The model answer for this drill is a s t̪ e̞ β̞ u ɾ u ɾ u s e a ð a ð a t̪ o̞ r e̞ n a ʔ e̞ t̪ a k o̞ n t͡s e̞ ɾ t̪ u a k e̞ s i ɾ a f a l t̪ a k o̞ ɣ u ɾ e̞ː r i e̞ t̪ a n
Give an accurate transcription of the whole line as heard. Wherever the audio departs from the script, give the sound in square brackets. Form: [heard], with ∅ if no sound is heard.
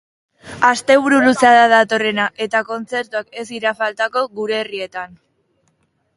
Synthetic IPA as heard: a s t̪ e̞ β̞ u ɾ u [l] u s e a ð a ð a t̪ o̞ r e̞ n a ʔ e̞ t̪ a k o̞ n t͡s e̞ ɾ t̪ u a k e̞ s i ɾ a f a l t̪ a k o̞ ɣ u ɾ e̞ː r i e̞ t̪ a n